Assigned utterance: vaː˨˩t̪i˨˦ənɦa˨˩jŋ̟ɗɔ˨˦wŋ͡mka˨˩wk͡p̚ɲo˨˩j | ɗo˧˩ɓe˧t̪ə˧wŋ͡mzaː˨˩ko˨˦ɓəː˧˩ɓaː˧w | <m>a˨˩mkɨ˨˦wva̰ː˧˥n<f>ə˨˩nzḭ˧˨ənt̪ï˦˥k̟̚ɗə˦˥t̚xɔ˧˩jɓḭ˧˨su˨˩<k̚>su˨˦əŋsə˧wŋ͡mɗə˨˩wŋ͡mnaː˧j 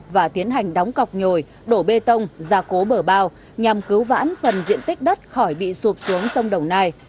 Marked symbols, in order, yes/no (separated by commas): no, yes, no